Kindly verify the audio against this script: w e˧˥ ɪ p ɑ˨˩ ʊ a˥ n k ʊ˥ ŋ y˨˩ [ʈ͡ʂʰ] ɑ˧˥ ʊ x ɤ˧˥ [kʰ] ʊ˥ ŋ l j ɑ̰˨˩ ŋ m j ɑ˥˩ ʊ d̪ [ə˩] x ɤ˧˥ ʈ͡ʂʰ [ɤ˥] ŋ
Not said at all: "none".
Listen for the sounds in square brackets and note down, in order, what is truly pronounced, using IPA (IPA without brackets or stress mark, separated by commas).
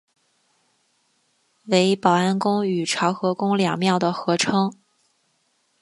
ʈ͡ʂʰ, k, ə˩, ɤ˥